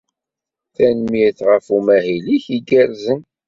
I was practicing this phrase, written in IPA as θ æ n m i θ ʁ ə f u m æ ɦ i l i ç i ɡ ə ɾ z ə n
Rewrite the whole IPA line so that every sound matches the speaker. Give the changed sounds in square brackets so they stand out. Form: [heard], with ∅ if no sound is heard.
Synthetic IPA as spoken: θ æ n m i θ ʁ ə f u m æ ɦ i l i ç i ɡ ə ɾ z ə n